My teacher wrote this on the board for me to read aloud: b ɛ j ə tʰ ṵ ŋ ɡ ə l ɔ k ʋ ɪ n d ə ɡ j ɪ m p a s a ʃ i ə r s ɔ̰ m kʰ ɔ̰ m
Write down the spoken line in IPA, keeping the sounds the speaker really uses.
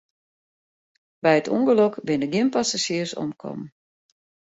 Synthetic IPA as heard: b ɛ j ə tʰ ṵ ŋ ɡ ə l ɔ k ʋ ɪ n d ə ɡ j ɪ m p a s a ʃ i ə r s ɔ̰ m kʰ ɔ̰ m